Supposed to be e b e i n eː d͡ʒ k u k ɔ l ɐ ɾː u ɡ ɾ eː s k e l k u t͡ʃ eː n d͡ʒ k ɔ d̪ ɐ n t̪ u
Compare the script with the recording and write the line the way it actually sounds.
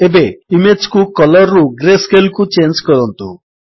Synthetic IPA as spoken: e b e i m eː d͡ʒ k u k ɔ l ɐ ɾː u ɡ ɾ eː s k e l k u t͡ʃ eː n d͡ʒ k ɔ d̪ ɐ n t̪ u